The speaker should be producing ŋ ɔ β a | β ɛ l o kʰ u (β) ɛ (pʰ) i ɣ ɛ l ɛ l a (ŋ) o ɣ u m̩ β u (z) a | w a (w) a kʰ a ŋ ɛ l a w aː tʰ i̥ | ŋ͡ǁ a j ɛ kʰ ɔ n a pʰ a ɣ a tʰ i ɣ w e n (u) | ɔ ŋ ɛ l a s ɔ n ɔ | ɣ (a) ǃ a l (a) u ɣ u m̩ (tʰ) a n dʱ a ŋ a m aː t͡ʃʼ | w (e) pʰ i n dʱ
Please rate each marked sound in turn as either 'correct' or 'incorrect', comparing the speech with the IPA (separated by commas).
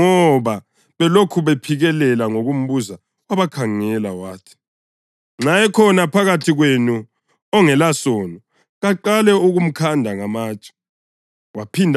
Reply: correct, correct, correct, correct, incorrect, correct, correct, incorrect, incorrect, incorrect